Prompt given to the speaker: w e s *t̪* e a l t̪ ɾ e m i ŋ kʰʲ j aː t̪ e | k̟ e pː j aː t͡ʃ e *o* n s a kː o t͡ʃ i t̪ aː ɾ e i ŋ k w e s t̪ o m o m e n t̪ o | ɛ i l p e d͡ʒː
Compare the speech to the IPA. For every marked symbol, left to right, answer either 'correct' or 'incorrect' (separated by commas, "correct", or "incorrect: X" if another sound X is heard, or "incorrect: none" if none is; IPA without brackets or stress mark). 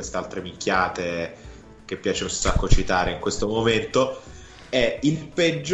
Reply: correct, incorrect: u